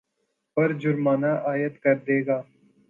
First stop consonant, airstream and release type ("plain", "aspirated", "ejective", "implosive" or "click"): plain